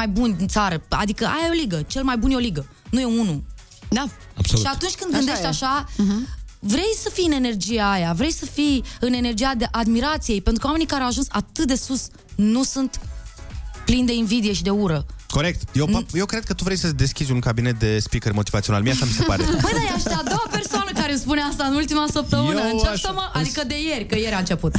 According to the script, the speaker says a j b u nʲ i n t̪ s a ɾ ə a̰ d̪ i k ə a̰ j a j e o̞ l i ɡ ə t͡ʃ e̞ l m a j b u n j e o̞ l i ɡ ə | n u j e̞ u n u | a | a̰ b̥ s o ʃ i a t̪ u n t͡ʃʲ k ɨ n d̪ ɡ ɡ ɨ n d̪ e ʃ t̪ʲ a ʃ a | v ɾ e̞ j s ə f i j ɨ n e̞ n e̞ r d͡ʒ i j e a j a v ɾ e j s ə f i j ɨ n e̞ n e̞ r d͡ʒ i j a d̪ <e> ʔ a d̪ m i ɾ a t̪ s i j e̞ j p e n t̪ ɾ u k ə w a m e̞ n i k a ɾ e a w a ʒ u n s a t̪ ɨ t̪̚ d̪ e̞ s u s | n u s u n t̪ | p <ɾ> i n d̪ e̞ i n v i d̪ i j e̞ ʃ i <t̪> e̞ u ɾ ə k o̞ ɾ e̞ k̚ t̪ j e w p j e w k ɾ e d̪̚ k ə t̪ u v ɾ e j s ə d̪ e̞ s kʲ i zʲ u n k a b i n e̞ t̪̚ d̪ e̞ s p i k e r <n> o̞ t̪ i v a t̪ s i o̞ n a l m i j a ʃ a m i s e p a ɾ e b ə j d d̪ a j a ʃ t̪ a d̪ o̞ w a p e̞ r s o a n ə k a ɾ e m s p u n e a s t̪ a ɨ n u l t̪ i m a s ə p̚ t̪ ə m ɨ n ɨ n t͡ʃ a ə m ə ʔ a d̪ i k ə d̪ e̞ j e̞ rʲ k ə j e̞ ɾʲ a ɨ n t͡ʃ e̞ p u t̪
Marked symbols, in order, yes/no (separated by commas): yes, no, no, no